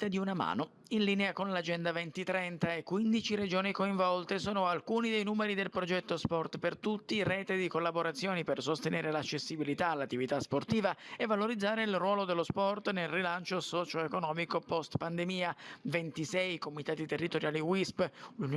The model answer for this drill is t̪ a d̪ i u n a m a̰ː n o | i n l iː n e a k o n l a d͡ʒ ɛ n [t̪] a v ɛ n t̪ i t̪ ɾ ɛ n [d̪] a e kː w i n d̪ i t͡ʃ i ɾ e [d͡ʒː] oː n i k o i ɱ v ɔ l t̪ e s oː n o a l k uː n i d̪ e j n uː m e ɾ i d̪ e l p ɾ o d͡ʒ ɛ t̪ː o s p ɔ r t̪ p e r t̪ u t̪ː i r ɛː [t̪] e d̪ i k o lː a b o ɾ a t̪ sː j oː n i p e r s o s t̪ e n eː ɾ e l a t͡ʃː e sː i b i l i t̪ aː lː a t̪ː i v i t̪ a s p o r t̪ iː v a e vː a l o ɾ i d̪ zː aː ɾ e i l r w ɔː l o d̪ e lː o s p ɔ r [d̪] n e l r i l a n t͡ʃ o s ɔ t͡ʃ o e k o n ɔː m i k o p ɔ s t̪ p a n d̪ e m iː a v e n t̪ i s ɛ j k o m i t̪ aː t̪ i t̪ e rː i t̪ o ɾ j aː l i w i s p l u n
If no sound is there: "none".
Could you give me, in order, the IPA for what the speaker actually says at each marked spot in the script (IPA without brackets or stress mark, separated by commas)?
d̪, t̪, d͡ʒ, t̪, t̪